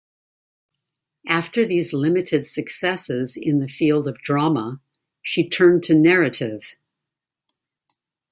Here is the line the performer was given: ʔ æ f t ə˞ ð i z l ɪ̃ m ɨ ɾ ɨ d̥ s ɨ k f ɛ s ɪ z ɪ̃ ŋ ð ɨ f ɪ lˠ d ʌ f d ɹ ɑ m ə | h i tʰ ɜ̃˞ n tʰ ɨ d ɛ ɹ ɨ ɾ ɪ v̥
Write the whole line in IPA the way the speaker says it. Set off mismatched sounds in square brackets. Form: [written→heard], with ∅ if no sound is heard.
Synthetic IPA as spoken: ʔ æ f t ə˞ ð i z l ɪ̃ m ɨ ɾ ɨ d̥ s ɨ k [f→s] ɛ s ɪ z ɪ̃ [ŋ→n] ð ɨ f [ɪ→i] lˠ d ʌ [f→v] d ɹ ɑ m ə | [h→ʃ] i tʰ ɜ̃˞ n tʰ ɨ [d→n] ɛ ɹ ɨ ɾ ɪ v̥